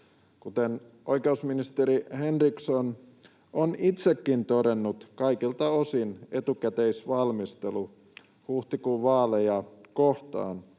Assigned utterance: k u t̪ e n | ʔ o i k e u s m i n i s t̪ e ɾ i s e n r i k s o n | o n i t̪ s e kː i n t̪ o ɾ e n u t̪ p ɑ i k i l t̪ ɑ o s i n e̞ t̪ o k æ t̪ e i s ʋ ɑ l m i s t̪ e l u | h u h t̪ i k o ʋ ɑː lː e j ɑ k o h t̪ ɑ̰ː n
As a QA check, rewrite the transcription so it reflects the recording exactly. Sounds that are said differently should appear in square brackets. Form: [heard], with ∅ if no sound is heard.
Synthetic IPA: k u t̪ e n | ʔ o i k e u s m i n i s t̪ e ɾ i [h] e n r i k s o n | o n i t̪ s e kː i n t̪ o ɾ e [nː] u t̪ [k] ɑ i k i l t̪ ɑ o s i n e̞ t̪ [u] k æ t̪ e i s ʋ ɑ l m i s t̪ e l u | h u h t̪ i k [u] ʋ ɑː [l] e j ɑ k o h t̪ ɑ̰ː n